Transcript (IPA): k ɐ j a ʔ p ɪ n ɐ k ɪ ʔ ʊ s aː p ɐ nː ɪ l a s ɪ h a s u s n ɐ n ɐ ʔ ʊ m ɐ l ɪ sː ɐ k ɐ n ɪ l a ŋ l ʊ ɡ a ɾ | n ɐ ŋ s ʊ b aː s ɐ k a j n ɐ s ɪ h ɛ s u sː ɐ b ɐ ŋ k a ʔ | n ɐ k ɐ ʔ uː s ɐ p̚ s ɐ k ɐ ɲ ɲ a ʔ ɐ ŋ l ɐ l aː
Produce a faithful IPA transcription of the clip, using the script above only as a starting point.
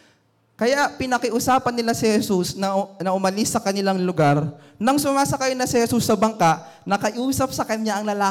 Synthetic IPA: k ɐ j a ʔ p ɪ n ɐ k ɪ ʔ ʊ s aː p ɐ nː ɪ l a s ɪ h ɛ s u s n ɐ n ɐ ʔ ʊ m ɐ l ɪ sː ɐ k ɐ n ɪ l a ŋ l ʊ ɡ a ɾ | n ɐ ŋ s ʊ m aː s ɐ k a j n ɐ s ɪ h ɛ s u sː ɐ b ɐ ŋ k a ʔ | n ɐ k ɐ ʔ uː s ɐ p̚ s ɐ k ɐ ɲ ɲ a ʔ ɐ ŋ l ɐ l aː